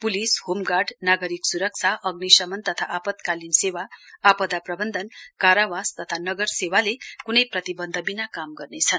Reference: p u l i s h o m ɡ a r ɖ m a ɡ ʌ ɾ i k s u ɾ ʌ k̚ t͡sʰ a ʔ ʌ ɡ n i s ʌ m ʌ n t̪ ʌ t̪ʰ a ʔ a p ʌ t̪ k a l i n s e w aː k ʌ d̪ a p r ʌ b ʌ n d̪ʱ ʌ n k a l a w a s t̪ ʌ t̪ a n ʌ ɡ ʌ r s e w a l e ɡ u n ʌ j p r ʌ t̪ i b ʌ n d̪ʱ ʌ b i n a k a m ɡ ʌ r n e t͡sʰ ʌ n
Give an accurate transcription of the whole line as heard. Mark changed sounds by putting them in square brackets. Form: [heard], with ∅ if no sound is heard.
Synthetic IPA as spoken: p u l i s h o m ɡ a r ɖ [n] a ɡ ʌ ɾ i k s u ɾ ʌ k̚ t͡sʰ a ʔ ʌ ɡ n i s ʌ m ʌ n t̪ ʌ t̪ʰ a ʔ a p ʌ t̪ k a l i n s e w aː [p] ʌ d̪ a p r ʌ b ʌ n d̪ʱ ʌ n k a [ɾ] a w a s t̪ ʌ [t̪ʰ] a n ʌ ɡ ʌ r s e w a l e [k] u n ʌ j p r ʌ t̪ i b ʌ n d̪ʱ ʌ b i n a k a m ɡ ʌ r n e t͡sʰ ʌ n